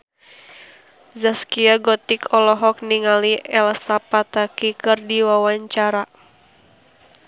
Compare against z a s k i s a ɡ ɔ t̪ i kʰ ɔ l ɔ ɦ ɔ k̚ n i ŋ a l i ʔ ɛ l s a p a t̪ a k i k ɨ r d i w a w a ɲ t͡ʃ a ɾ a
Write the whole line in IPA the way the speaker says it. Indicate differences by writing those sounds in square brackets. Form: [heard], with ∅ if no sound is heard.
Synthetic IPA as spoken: z a s k i [∅] a ɡ ɔ t̪ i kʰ ɔ l ɔ ɦ ɔ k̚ n i ŋ a l i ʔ ɛ l s a p a t̪ a k i k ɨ r d i w a w a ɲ t͡ʃ a ɾ a